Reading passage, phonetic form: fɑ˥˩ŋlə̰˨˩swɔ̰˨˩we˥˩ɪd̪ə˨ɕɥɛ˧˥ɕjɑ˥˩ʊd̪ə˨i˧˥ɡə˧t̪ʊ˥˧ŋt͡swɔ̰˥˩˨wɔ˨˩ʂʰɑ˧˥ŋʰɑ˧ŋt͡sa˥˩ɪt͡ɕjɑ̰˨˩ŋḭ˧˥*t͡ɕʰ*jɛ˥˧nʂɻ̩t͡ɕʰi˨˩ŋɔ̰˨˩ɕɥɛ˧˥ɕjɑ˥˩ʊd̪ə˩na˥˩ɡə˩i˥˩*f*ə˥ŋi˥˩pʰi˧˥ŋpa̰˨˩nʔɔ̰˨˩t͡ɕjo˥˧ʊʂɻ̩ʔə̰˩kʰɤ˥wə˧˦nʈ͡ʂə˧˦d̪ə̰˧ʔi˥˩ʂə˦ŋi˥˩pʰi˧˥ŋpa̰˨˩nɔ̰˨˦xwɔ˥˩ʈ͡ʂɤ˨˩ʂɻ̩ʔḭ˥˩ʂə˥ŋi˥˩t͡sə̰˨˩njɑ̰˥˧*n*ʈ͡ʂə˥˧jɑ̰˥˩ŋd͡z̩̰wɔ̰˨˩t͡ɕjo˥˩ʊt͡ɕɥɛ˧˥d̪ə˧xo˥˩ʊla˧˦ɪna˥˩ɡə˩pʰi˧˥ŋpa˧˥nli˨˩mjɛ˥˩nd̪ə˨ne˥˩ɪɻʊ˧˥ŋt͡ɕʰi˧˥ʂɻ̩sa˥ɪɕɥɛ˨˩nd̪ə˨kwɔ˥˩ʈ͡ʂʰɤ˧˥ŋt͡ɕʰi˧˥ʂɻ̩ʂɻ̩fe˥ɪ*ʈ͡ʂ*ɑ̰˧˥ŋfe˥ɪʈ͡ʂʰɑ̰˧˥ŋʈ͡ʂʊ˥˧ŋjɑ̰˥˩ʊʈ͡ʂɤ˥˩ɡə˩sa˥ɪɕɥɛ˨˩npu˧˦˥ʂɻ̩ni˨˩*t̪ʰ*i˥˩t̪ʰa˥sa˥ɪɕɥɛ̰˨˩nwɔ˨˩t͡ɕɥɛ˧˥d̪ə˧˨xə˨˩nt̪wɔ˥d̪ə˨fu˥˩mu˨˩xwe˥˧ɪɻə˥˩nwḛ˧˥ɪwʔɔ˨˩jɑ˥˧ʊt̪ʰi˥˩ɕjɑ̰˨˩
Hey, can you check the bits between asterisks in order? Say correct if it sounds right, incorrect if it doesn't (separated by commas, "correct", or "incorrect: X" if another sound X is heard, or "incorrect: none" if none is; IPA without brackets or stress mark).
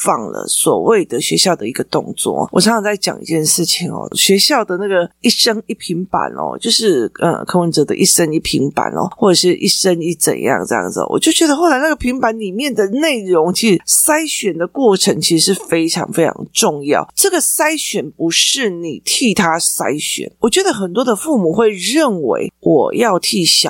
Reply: incorrect: t͡ɕ, incorrect: ʂ, incorrect: ŋ, incorrect: ʈ͡ʂʰ, correct